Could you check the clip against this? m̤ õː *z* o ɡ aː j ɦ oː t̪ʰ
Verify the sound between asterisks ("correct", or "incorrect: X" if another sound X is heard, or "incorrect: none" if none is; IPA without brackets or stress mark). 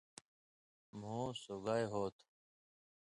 incorrect: s